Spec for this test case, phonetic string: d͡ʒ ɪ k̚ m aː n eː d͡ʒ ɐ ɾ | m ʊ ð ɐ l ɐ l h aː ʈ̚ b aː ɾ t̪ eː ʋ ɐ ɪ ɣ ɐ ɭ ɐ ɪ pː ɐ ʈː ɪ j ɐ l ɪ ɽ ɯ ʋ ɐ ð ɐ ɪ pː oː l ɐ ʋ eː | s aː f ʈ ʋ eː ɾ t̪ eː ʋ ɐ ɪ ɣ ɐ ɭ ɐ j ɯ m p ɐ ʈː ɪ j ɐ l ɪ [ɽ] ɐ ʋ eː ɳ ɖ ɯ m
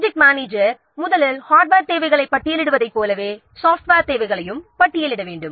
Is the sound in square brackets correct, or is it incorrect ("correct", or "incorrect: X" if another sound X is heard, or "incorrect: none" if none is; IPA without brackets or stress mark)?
correct